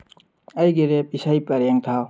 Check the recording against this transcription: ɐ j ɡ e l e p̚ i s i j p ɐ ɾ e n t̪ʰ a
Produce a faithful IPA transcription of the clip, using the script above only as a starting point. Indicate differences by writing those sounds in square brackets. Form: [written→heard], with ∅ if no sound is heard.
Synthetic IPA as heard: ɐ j ɡ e [l→ɾ] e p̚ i s [i→a] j p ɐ ɾ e [n→ŋ] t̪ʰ a